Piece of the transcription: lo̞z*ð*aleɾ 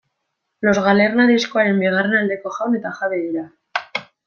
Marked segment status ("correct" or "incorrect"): incorrect